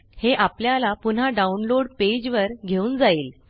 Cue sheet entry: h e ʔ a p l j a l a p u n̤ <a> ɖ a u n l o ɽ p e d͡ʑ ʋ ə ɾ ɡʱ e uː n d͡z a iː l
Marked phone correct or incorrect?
correct